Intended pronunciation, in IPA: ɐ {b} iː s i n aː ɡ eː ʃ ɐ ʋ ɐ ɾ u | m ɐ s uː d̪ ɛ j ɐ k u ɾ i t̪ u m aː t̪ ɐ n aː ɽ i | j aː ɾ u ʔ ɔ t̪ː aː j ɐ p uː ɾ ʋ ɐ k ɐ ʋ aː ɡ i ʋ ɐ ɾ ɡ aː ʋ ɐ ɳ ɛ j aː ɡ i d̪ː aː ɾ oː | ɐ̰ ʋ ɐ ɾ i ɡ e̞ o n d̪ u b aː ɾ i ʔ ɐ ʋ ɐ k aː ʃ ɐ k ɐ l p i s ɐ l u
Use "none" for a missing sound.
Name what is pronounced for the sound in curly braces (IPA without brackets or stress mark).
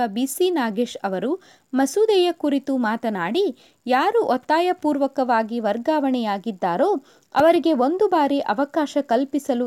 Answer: b